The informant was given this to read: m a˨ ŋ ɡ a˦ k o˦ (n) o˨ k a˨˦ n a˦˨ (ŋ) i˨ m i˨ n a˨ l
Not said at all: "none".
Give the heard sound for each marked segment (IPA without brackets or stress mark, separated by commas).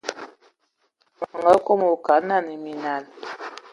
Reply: m, n